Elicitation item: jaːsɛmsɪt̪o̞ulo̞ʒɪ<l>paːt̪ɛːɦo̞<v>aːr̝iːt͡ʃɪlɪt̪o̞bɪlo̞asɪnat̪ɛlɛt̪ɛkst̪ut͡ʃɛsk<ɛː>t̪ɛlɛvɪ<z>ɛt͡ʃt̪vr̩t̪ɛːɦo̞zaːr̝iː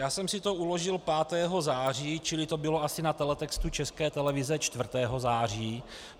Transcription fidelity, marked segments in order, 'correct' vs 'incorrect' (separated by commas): correct, incorrect, correct, correct